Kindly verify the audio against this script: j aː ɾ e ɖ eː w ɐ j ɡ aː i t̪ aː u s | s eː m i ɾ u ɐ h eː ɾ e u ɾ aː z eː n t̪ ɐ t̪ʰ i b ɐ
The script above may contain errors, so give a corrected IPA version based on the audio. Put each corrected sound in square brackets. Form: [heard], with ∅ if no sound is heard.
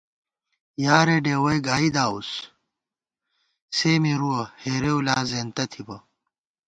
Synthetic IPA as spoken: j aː ɾ e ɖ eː w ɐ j ɡ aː i [d̪] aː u s | s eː m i ɾ u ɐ h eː ɾ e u [l] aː z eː n t̪ ɐ t̪ʰ i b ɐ